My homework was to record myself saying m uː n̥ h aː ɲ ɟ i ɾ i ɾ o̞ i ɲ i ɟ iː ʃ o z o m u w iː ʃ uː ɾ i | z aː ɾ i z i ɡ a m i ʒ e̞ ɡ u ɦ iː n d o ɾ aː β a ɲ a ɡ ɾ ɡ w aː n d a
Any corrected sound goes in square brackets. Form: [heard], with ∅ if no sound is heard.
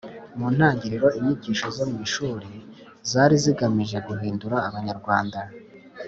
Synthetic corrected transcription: m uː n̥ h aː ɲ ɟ i ɾ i ɾ o̞ i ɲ i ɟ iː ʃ o z o m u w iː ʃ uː ɾ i | z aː ɾ i z i ɡ a m i ʒ e̞ ɡ u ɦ iː n d [u] ɾ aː β a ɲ a [∅] ɾ ɡ w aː n d a